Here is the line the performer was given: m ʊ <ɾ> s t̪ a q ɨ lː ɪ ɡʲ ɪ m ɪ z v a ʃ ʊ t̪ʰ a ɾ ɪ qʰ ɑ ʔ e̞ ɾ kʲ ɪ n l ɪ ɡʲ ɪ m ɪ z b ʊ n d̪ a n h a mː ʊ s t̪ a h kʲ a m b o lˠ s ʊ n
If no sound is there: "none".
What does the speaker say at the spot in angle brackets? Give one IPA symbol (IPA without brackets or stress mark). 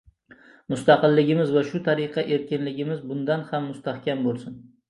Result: none